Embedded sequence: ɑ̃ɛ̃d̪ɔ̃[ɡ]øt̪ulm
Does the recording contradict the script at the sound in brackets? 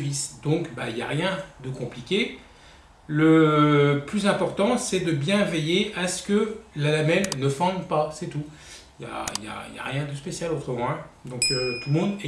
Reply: yes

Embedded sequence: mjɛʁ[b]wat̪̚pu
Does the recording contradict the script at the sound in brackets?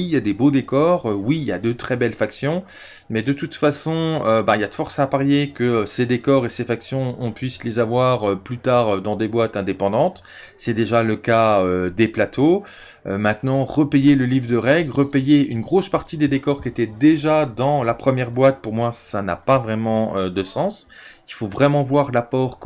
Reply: no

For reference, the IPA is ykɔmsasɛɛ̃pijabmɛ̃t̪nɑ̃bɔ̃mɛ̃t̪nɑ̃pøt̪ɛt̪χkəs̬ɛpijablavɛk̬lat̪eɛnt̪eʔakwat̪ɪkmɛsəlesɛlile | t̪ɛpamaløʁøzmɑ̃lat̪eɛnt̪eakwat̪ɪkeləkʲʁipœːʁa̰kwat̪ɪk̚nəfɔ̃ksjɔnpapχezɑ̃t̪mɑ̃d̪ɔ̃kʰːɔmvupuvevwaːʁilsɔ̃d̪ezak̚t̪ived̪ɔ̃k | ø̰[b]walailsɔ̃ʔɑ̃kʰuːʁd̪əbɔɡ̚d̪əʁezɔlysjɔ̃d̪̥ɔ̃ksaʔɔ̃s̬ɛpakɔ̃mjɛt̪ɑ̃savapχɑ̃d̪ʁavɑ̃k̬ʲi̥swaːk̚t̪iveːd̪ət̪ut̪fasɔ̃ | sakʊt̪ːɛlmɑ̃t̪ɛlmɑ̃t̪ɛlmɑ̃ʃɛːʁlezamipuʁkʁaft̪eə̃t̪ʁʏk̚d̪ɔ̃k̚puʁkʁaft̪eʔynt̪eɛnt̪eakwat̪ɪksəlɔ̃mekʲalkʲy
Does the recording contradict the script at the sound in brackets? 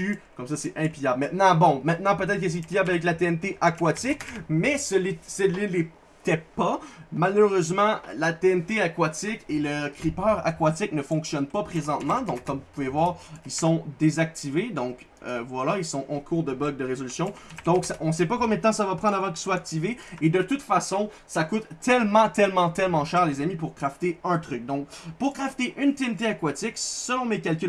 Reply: yes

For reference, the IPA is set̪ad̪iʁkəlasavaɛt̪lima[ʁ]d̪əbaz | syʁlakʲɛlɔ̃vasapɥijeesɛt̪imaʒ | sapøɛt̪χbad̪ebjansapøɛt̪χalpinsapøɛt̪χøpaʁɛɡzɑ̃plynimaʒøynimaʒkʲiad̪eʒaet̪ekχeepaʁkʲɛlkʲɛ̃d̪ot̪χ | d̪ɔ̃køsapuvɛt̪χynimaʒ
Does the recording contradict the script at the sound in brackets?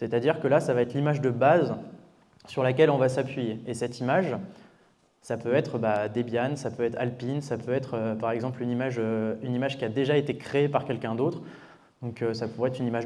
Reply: yes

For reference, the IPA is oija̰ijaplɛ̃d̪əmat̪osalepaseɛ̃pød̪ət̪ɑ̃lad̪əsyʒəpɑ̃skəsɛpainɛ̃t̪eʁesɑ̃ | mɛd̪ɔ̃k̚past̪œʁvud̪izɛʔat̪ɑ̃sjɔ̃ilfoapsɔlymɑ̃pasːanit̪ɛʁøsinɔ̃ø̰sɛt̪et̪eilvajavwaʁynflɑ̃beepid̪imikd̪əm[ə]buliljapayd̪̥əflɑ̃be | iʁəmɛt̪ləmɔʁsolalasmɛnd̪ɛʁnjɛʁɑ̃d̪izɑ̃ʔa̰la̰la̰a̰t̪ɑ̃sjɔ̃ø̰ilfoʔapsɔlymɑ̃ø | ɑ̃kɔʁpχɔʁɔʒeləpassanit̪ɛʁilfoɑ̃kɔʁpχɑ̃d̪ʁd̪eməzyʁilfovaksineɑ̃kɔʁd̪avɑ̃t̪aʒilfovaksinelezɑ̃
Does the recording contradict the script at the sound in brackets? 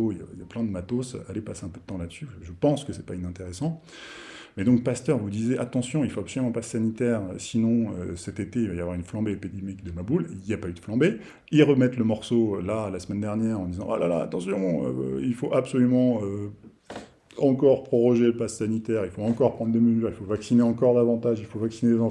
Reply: yes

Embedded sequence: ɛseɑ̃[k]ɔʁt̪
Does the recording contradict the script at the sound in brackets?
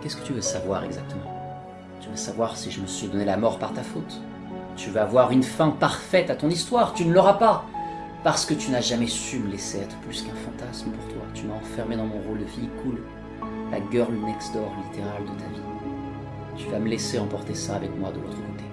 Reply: yes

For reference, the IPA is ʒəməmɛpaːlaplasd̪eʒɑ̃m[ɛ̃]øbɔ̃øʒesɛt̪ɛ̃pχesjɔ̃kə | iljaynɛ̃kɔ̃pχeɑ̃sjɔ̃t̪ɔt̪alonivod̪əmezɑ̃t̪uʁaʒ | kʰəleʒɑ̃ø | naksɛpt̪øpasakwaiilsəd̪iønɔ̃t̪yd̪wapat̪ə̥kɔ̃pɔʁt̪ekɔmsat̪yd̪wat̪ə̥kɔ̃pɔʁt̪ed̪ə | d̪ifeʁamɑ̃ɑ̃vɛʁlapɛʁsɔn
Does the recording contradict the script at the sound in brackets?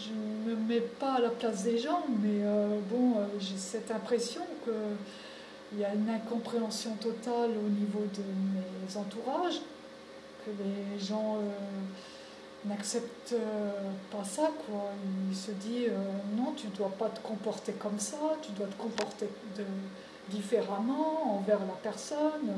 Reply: yes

